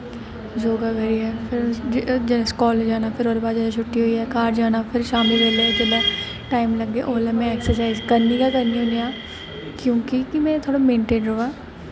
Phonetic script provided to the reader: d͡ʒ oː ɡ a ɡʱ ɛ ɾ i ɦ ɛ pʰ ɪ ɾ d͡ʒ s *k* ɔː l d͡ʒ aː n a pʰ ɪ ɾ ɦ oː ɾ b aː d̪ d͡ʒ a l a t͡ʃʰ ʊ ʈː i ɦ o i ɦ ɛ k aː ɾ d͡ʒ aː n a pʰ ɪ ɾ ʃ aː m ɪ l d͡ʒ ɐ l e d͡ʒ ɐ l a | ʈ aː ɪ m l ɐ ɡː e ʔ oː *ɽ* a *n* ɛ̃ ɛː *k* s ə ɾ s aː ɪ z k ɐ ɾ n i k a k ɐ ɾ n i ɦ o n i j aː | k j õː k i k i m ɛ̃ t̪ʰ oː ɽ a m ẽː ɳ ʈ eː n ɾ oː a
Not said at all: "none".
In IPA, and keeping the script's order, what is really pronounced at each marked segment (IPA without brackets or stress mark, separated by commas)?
k, l, m, k